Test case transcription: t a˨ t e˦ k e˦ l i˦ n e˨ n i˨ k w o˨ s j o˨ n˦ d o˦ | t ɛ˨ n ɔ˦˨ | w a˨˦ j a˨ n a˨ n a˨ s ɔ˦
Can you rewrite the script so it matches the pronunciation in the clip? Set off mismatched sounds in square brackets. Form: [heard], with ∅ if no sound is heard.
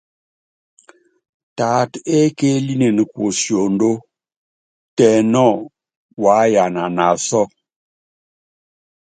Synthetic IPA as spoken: t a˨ t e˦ k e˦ l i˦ n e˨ n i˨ k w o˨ s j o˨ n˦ d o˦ | t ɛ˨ n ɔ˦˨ | w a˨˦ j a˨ n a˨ n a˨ s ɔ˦